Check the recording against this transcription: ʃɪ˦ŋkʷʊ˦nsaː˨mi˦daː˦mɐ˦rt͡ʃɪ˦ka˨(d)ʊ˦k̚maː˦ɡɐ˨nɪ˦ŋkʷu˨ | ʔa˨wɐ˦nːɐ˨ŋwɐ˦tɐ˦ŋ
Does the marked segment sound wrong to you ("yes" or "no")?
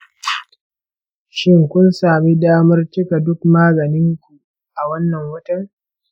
no